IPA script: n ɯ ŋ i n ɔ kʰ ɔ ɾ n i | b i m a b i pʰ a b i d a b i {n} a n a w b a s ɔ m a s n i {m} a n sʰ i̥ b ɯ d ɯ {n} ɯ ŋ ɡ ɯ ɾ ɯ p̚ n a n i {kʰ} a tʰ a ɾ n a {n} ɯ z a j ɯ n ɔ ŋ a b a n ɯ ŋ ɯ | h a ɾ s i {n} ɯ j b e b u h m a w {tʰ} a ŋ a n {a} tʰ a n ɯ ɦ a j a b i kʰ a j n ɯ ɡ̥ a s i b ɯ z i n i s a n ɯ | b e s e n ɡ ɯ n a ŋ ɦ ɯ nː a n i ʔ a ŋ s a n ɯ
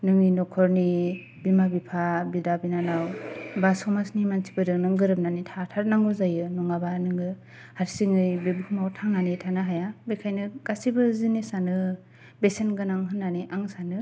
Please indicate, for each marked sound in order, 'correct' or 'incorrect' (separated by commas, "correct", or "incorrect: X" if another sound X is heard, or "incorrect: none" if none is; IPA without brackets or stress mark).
correct, correct, correct, incorrect: tʰ, incorrect: ŋ, incorrect: ŋ, correct, incorrect: i